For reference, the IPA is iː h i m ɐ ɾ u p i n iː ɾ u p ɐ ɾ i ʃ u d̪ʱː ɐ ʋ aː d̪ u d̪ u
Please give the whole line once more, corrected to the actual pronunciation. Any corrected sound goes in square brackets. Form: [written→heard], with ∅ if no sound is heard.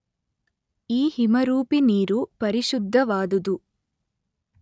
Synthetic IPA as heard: iː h i m ɐ ɾ [u→uː] p i n iː ɾ u p ɐ ɾ i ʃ u d̪ʱː ɐ ʋ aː d̪ u d̪ u

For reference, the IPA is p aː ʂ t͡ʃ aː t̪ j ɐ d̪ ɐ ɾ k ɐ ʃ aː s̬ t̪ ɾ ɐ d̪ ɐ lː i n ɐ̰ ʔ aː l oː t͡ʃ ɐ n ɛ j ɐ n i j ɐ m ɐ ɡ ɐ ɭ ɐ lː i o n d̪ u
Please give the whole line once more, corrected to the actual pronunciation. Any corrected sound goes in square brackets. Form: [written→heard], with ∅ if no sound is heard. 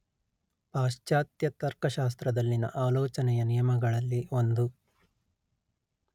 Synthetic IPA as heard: p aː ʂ t͡ʃ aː t̪ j ɐ [d̪→t̪] ɐ ɾ k ɐ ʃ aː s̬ t̪ ɾ ɐ d̪ ɐ lː i n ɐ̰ ʔ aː l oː t͡ʃ ɐ n ɛ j ɐ n i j ɐ m ɐ ɡ ɐ ɭ ɐ lː i o n d̪ u

